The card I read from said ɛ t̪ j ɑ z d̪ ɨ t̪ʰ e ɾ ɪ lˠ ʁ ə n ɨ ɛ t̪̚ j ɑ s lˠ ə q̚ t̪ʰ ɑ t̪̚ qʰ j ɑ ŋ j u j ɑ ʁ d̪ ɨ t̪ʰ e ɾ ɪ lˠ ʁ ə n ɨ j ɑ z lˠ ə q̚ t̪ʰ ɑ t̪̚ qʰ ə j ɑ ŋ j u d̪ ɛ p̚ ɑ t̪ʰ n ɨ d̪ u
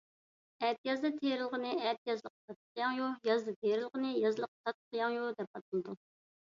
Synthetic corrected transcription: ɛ t̪ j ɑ z d̪ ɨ t̪ʰ e ɾ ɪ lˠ ʁ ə n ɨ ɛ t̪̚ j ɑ z lˠ ə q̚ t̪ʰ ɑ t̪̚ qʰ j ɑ ŋ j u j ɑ z d̪ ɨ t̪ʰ e ɾ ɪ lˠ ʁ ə n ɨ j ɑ z lˠ ə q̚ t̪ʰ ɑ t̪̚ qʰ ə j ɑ ŋ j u d̪ ɛ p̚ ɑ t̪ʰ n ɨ d̪ u